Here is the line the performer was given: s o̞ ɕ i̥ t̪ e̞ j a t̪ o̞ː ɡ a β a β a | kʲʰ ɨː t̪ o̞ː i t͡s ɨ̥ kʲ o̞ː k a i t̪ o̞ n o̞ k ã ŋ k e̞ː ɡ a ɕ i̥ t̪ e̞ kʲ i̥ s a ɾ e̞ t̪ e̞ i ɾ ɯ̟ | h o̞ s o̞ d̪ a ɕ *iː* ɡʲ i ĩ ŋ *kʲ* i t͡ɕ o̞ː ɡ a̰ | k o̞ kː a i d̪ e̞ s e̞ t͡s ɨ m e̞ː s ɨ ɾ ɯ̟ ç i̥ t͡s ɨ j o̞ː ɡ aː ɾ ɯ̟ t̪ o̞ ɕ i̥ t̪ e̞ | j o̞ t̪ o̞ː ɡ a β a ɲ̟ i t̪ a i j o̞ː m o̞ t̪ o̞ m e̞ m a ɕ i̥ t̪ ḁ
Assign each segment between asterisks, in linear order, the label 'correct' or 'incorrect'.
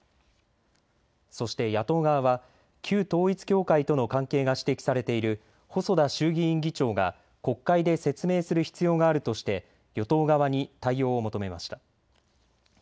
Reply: incorrect, incorrect

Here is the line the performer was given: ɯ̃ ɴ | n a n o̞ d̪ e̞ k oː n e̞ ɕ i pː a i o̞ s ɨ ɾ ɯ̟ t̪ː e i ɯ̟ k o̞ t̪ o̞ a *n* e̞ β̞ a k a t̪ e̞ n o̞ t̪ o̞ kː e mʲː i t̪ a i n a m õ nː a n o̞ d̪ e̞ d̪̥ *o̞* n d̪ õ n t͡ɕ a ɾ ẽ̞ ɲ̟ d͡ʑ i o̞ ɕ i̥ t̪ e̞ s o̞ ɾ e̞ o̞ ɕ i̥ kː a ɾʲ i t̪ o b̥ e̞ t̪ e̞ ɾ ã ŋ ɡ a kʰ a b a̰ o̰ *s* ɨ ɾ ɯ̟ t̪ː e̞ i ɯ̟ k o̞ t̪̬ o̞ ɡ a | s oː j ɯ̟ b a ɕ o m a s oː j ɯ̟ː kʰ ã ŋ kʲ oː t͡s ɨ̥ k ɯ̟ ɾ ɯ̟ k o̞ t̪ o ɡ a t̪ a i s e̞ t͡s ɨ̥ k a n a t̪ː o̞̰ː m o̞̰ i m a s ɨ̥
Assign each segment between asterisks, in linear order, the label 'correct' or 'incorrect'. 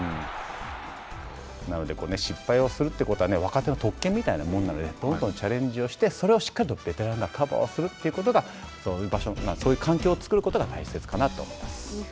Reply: correct, incorrect, correct

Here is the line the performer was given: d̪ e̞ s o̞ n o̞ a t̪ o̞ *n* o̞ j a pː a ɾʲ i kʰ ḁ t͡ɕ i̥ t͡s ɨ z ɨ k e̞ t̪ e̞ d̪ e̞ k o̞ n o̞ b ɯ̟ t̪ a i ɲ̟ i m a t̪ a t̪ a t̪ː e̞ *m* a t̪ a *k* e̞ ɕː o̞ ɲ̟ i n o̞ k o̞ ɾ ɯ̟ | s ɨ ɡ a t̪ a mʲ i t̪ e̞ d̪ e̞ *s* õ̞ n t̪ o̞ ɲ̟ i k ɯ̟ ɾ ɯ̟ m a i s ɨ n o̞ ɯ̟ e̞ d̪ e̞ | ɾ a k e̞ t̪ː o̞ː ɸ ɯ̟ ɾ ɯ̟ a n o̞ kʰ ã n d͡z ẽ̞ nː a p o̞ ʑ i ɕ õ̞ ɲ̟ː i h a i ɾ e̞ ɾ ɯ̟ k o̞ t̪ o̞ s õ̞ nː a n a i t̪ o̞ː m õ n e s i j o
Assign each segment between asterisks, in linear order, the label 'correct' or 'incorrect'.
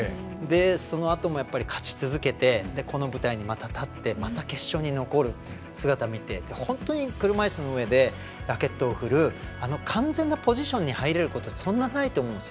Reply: incorrect, correct, correct, incorrect

